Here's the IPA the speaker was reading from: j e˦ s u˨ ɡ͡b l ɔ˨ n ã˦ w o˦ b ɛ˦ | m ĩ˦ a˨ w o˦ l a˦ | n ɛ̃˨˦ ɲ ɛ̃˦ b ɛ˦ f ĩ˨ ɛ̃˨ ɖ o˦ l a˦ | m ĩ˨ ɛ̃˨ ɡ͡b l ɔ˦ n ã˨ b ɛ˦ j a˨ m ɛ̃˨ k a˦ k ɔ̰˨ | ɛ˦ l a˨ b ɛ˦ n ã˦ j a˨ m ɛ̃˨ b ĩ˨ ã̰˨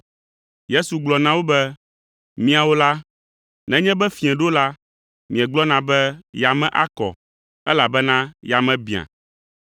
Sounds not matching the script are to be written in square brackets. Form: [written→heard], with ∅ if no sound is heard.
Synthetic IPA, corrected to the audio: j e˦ s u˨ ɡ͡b l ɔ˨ n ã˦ w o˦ b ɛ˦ | m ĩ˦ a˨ w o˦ l a˦ | n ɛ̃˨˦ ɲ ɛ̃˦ b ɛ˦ f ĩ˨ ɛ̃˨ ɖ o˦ l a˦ | m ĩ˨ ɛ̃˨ ɡ͡b l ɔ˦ n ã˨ b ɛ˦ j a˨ m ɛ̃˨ [k→ʔ] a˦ k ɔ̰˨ | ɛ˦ l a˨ b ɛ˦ n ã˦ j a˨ m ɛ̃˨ b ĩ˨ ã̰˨